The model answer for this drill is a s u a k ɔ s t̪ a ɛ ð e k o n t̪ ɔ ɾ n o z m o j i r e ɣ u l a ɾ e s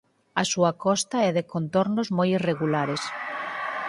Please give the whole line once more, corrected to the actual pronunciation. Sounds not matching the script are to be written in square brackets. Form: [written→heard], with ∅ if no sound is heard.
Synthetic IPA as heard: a s u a k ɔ s t̪ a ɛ ð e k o n t̪ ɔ ɾ n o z m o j i r e ɣ u l a ɾ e s